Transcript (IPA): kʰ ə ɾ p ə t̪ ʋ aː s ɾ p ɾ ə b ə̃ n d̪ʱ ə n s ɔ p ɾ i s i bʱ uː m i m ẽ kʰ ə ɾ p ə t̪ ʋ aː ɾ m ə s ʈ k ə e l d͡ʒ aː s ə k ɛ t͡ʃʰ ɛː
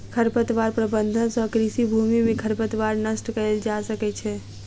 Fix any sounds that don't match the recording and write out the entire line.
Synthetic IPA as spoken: kʰ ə ɾ p ə t̪ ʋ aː ɾ p ɾ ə b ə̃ n d̪ʱ ə n s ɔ k ɾ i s i bʱ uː m i m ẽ kʰ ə ɾ p ə t̪ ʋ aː ɾ n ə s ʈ k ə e l d͡ʒ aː s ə k ɛ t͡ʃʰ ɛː

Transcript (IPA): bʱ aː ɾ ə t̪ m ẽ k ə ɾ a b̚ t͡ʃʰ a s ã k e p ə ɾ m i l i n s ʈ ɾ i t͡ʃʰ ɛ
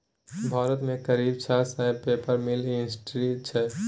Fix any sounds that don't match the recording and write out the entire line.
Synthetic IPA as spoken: bʱ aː ɾ ə t̪ m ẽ k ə ɾ i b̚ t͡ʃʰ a s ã p e p ə ɾ m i l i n s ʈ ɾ i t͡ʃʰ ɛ

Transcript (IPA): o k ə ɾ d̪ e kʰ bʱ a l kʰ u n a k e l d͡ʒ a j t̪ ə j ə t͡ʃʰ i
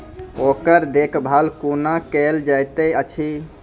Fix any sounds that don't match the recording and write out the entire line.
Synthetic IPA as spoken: o k ə ɾ d̪ e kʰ bʱ a l k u n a k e l d͡ʒ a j t̪ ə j ə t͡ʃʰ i

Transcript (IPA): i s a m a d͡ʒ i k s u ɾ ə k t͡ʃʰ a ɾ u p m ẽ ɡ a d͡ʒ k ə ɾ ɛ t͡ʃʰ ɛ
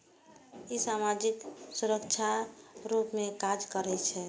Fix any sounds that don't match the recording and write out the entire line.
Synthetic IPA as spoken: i s a m a d͡ʒ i k s u ɾ ə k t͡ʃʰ a ɾ u p m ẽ k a d͡ʒ k ə ɾ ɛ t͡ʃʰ ɛ

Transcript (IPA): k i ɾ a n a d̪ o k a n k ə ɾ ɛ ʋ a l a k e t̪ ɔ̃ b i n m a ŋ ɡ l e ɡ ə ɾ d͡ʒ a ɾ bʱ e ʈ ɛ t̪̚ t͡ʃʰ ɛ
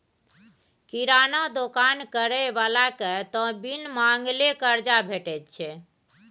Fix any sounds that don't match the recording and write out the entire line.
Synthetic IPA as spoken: k i ɾ a n a d̪ o k a n k ə ɾ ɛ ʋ a l a k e t̪ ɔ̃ b i n m a ŋ ɡ l e k ə ɾ d͡ʒ a bʱ e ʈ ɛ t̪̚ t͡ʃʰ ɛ

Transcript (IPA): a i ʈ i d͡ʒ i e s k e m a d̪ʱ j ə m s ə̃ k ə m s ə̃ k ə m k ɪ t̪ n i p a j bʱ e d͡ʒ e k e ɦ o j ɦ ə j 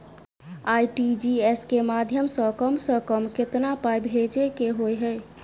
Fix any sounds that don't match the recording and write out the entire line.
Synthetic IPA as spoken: a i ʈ i d͡ʒ i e s k e m a d̪ʱ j ə m s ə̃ k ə m s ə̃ k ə m k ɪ t̪ n a p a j bʱ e d͡ʒ e k e ɦ o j ɦ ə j

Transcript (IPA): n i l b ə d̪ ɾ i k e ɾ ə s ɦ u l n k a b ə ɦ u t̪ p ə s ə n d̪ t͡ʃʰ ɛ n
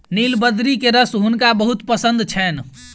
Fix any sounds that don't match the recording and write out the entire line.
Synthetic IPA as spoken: n i l b ə d̪ ɾ i k e ɾ ə s ɦ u n k a b ə ɦ u t̪ p ə s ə n d̪ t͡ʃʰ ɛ n

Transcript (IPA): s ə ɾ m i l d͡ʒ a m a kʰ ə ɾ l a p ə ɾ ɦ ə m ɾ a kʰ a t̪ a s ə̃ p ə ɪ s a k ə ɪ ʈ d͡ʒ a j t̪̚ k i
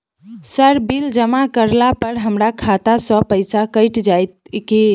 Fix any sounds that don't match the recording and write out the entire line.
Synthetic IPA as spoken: s ə ɾ b i l d͡ʒ ə m a k ə ɾ l a p ə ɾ ɦ ə m ɾ a kʰ a t̪ a s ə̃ p ə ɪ s a k ə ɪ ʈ d͡ʒ a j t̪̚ k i

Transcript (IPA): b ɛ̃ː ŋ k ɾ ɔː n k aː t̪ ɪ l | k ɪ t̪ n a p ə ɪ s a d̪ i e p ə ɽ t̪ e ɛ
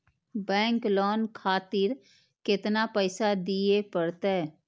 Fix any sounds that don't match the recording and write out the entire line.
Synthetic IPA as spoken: b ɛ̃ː ŋ k l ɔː n kʰ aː t̪ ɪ ɾ | k ɪ t̪ n a p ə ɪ s a d̪ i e p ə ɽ t̪ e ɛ

